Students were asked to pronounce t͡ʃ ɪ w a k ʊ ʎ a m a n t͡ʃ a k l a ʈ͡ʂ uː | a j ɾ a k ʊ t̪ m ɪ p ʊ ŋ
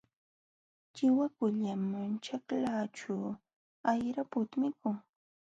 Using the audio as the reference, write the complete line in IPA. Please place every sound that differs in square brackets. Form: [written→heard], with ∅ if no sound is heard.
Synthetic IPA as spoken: t͡ʃ ɪ w a k ʊ ʎ a m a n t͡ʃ a k l a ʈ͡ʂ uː | a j ɾ a [k→p] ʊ t̪ m ɪ [p→k] ʊ ŋ